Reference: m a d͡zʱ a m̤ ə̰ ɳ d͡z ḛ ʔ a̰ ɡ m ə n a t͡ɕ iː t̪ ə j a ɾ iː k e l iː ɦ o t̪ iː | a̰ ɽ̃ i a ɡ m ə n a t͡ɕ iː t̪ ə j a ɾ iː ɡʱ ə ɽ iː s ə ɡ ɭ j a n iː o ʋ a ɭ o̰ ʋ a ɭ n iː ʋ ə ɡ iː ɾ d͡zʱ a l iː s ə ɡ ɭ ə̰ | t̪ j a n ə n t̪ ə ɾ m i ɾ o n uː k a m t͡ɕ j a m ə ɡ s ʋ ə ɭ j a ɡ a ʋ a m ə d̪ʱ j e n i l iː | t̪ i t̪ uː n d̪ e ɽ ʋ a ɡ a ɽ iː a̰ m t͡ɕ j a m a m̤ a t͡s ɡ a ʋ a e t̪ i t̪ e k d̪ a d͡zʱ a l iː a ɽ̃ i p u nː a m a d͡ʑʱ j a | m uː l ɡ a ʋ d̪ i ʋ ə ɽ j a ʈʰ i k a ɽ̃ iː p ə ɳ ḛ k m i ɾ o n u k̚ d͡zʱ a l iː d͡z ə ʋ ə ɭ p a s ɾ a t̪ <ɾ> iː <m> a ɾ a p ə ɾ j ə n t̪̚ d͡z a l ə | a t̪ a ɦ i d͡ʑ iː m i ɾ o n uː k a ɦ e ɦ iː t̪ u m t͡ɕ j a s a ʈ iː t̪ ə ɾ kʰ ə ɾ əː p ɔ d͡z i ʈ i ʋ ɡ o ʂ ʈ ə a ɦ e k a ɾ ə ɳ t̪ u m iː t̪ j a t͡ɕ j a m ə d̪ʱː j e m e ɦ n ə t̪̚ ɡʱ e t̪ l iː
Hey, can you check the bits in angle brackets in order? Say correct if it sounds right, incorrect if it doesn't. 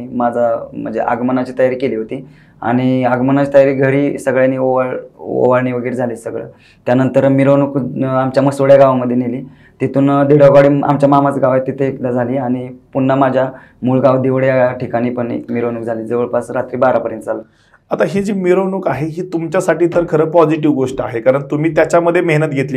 correct, incorrect: b

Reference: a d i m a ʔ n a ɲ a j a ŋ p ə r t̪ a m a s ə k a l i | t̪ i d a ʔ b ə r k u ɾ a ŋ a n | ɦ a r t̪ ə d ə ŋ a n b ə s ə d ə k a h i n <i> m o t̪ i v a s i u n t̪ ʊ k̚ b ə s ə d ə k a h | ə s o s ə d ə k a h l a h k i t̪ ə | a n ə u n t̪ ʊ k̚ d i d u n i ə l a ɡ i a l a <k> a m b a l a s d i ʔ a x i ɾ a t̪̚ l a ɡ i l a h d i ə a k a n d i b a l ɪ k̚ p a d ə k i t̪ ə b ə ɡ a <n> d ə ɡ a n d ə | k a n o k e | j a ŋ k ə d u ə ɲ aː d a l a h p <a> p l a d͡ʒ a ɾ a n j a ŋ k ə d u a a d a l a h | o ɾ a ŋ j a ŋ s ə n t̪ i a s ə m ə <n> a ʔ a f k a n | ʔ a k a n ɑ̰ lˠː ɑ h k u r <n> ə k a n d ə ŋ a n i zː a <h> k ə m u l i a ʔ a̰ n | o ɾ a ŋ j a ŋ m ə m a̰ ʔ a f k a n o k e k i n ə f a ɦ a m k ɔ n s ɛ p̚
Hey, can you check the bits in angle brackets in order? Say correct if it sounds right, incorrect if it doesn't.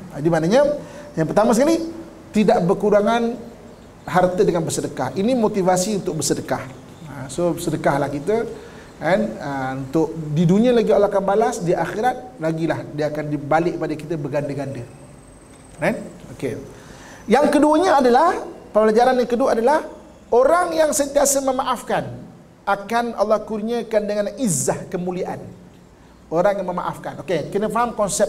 correct, correct, correct, incorrect: ə, incorrect: m, incorrect: ɲ, correct

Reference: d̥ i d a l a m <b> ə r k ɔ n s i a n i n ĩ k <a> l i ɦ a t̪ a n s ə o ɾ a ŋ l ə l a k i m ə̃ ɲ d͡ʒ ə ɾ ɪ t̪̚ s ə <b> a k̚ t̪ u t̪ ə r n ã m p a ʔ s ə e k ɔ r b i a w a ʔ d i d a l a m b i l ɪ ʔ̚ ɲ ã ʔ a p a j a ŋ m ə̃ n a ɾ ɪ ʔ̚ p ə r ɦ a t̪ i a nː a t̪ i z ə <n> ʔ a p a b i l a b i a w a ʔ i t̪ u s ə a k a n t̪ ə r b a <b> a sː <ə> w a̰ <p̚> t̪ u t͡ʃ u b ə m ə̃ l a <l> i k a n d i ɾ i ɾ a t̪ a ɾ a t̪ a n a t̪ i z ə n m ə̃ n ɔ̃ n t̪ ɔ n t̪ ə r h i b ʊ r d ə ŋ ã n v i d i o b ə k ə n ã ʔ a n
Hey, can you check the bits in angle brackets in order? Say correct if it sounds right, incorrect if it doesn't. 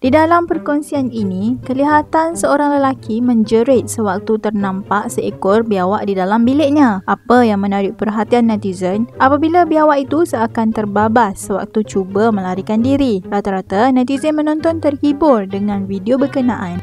incorrect: p, incorrect: ə, incorrect: w, correct, correct, correct, incorrect: k̚, incorrect: ɾ

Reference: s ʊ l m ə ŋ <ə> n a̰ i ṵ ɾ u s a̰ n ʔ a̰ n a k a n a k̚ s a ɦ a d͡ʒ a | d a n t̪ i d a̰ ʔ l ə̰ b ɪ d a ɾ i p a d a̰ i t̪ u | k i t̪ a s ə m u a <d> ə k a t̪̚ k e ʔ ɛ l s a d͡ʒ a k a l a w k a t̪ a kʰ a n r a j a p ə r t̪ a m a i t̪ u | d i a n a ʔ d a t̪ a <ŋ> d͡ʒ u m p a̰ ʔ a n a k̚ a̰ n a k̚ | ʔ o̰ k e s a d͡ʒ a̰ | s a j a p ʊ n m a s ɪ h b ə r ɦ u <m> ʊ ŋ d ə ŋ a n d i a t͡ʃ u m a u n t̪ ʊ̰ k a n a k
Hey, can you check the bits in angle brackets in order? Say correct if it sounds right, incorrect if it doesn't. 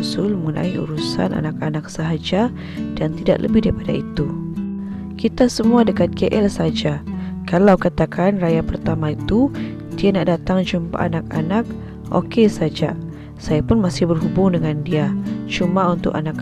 correct, correct, correct, incorrect: b

